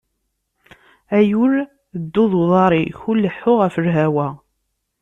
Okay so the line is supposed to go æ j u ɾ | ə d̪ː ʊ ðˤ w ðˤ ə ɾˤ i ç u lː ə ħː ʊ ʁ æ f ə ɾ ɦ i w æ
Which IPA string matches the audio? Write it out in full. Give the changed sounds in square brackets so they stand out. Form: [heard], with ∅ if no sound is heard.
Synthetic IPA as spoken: æ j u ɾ | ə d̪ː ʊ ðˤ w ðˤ [ɑ] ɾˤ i ç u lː ə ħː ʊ ʁ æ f ə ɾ ɦ [æ] w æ